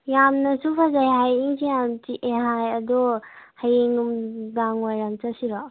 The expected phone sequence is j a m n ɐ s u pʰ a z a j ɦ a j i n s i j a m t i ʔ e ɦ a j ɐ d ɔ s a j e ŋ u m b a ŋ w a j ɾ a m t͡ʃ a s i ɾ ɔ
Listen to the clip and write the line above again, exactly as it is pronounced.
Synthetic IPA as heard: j a m n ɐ s u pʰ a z a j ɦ a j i ŋ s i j a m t i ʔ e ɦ a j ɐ d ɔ h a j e ŋ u m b a ŋ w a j ɾ a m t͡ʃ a s i ɾ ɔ